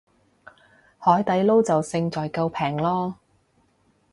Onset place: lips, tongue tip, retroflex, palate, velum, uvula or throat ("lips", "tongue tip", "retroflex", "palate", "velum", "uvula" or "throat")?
throat